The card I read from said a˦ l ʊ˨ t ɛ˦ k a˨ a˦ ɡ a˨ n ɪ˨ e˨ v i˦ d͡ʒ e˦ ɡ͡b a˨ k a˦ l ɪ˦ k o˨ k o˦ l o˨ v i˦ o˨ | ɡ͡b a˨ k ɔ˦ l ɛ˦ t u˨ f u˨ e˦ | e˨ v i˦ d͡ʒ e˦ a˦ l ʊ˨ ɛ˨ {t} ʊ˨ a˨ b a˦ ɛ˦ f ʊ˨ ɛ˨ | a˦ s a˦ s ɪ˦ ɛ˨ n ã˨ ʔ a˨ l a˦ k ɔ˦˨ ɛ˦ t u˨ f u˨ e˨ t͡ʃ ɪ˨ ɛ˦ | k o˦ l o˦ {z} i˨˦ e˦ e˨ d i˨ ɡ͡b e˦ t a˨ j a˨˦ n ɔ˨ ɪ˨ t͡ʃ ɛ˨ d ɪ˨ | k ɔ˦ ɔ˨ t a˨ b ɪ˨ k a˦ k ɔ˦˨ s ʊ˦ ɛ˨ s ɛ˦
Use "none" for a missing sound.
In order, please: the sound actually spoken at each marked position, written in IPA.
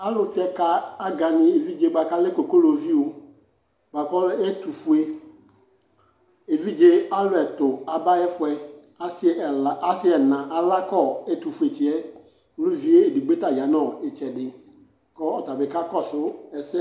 t, v

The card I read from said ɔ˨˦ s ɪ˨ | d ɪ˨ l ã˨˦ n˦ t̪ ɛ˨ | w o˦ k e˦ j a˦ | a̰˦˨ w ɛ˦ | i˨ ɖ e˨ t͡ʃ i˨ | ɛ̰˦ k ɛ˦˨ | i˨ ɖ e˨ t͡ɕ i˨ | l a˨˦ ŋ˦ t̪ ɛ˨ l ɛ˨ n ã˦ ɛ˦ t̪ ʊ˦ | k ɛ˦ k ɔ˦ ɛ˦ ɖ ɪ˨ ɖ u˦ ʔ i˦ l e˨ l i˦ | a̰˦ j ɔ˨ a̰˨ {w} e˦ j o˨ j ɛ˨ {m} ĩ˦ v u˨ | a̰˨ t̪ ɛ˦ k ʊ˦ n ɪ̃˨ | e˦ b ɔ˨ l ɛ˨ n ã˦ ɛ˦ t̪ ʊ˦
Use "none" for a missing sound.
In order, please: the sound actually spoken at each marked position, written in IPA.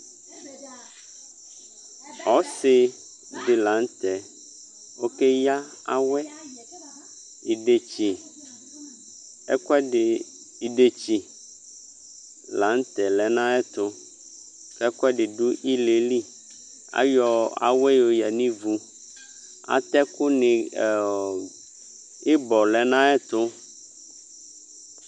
w, n

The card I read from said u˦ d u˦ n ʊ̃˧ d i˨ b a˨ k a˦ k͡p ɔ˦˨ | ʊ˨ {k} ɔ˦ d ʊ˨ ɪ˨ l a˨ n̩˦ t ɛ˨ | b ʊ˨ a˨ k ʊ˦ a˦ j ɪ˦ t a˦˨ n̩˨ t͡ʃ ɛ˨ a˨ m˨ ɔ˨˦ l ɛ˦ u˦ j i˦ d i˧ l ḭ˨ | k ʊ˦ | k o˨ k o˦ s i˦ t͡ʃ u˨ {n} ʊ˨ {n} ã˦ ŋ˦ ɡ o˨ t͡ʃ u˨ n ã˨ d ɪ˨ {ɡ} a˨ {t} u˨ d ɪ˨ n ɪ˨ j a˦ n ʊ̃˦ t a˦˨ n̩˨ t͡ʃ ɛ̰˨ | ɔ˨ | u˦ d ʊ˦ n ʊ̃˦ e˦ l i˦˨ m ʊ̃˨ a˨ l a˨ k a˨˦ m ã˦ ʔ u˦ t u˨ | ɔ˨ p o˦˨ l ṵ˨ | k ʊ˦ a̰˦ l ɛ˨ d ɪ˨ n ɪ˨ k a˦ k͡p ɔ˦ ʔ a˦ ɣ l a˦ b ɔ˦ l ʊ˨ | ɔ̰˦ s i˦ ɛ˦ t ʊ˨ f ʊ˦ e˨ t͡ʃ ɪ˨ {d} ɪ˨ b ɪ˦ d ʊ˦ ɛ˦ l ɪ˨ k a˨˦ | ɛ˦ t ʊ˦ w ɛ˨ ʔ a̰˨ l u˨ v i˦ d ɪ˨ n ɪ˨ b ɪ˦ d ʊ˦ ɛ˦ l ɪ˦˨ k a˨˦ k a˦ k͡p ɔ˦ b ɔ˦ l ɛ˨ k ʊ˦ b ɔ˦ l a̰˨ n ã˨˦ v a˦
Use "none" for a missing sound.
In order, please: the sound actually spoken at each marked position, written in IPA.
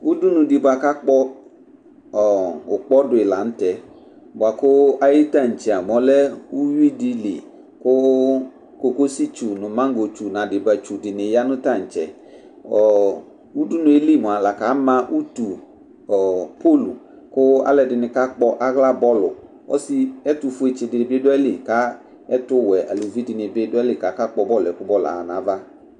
k͡p, n, m, b, t͡ʃ, d

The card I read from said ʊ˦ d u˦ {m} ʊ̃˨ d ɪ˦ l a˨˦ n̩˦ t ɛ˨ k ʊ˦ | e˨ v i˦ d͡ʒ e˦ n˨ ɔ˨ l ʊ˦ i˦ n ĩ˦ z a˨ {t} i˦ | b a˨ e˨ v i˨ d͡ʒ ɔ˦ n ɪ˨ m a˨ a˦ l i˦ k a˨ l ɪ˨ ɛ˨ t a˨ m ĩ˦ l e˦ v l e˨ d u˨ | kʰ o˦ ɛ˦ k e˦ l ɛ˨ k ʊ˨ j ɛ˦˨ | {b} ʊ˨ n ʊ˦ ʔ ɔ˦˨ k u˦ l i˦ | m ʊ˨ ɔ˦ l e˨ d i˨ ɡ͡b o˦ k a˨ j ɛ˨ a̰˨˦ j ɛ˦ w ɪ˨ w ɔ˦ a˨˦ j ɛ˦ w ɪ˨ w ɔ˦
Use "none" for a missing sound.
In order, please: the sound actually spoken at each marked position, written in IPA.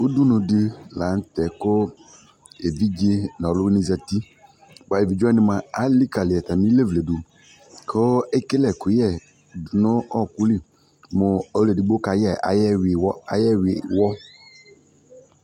n, t, d

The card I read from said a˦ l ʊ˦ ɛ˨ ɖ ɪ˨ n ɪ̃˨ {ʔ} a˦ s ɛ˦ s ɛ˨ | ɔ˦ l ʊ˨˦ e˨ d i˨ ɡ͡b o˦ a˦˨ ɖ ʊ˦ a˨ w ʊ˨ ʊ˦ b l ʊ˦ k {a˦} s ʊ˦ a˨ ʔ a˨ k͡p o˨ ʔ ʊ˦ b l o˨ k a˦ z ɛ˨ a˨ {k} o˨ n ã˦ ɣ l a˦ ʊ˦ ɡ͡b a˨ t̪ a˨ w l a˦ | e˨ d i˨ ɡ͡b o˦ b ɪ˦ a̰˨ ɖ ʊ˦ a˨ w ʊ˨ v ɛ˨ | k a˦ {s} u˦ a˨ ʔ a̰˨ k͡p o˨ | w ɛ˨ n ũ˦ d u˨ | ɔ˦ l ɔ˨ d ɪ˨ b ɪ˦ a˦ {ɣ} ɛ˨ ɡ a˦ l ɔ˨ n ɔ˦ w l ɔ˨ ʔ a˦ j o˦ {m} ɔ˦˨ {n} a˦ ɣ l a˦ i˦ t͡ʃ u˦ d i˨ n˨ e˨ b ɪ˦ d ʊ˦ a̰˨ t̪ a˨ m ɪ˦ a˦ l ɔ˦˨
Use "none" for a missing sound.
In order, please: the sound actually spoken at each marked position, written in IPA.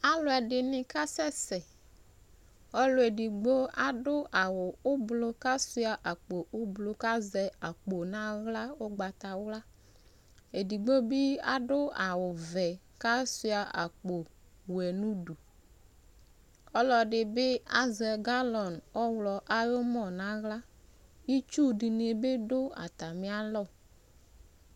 k, a˦, k͡p, s, z, m, n

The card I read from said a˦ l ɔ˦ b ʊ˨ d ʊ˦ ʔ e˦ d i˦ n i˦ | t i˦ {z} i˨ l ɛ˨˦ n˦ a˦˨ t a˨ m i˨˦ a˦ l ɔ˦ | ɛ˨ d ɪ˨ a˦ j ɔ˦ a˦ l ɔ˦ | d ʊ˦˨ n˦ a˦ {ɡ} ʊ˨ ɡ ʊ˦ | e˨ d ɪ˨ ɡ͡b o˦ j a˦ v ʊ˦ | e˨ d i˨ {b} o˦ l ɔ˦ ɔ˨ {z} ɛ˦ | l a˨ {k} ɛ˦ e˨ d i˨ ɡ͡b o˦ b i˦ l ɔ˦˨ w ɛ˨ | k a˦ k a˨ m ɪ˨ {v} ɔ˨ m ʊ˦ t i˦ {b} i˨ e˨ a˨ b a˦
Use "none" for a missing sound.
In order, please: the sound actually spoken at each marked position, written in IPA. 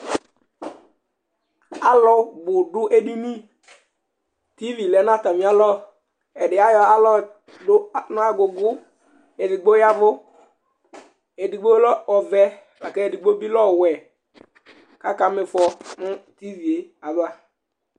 v, ɡ, ɡ͡b, v, k, f, v

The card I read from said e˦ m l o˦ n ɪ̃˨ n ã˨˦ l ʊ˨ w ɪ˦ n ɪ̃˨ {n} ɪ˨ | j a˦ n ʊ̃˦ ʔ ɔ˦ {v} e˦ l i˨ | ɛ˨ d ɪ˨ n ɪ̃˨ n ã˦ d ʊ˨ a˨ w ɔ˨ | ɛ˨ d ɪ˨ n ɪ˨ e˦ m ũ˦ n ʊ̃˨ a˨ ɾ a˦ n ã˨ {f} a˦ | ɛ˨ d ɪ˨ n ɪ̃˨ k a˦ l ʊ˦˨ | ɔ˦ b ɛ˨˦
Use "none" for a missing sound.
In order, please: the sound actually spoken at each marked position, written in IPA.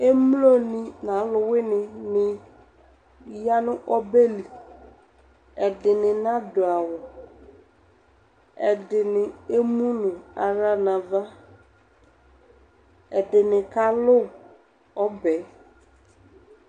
n, b, v

